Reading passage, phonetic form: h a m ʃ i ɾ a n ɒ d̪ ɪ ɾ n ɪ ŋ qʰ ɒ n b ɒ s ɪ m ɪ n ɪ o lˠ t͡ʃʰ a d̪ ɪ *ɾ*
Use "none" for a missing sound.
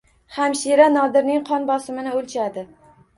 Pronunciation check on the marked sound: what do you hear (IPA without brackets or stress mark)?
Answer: none